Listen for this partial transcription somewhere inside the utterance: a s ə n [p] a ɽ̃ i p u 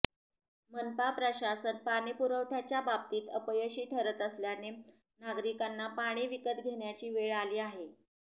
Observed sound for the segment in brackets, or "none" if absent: p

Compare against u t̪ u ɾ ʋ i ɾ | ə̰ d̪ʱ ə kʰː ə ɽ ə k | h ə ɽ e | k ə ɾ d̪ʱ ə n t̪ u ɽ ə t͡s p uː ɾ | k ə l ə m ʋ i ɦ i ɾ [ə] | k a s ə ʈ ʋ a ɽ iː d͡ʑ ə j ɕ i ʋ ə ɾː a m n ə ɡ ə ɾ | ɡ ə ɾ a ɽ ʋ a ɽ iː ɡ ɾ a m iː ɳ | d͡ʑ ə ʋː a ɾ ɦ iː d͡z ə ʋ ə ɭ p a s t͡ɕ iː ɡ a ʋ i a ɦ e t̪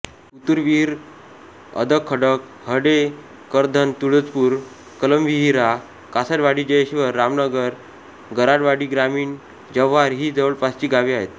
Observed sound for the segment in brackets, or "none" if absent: a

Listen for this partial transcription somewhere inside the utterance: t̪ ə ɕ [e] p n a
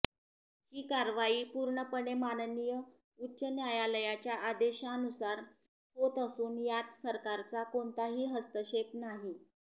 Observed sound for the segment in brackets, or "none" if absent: e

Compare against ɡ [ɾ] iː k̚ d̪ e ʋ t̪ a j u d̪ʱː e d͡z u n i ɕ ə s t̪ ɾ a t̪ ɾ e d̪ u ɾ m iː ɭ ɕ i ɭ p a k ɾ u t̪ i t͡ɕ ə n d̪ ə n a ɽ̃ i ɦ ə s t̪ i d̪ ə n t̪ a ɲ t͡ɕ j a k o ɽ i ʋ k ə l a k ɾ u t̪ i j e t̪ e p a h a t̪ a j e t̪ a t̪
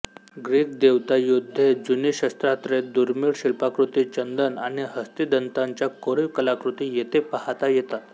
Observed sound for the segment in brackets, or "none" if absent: ɾ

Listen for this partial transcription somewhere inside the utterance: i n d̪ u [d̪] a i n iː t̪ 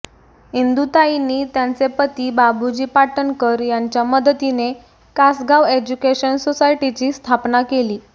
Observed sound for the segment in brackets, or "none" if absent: t̪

